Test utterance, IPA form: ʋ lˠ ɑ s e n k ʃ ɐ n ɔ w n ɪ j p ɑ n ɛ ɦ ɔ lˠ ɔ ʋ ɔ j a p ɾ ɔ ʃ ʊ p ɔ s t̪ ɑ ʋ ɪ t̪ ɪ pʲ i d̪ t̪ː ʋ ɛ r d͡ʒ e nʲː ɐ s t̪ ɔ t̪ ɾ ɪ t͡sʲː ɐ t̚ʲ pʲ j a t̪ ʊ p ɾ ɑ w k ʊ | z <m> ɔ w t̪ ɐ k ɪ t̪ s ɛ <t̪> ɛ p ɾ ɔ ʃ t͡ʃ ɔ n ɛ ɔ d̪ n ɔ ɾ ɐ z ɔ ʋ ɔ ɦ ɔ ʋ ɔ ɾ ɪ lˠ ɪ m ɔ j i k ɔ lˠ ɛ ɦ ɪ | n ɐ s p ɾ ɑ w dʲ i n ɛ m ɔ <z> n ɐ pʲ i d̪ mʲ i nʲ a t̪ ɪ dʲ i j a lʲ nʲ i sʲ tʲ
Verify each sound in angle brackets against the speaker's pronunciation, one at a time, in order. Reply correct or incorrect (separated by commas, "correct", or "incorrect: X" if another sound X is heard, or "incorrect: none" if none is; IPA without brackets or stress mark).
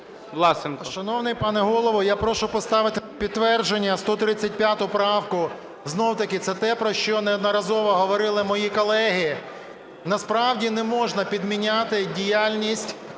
incorrect: n, correct, incorrect: ʒ